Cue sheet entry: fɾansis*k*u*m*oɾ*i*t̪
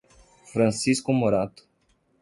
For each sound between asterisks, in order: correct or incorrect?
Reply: correct, correct, incorrect: a

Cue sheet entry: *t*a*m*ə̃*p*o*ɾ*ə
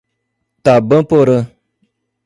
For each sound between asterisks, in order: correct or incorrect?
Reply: correct, incorrect: b, correct, correct

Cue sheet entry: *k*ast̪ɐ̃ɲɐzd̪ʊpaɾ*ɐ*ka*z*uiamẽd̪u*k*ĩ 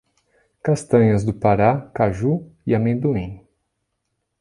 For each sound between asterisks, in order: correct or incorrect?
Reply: correct, incorrect: a, incorrect: ʒ, incorrect: none

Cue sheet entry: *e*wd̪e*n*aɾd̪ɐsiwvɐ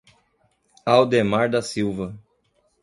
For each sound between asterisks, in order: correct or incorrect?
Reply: incorrect: a, incorrect: m

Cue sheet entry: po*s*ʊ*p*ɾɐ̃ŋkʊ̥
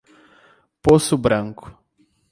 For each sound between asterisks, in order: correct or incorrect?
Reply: correct, incorrect: b

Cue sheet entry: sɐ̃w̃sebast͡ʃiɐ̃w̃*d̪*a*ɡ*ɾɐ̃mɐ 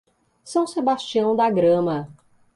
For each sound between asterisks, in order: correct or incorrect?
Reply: correct, correct

